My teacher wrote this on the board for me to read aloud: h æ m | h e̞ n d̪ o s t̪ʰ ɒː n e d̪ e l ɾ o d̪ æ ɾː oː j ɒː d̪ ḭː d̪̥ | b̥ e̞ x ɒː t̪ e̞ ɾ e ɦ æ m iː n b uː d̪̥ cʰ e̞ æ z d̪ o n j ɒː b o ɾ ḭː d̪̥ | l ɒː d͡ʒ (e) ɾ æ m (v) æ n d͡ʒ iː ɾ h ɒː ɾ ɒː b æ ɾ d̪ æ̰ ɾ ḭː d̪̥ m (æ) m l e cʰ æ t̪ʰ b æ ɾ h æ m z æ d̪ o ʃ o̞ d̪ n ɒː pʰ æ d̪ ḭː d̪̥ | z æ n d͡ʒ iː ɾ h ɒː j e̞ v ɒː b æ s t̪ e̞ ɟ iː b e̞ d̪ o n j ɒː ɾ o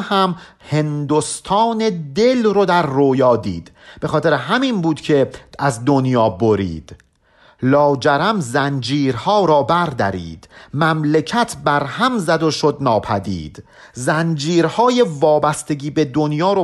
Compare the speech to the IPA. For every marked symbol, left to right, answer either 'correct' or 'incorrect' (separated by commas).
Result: incorrect, incorrect, correct